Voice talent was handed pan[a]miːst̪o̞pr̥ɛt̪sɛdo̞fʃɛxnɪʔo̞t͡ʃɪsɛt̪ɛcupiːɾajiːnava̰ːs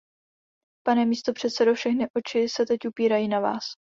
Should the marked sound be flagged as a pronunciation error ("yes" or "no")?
yes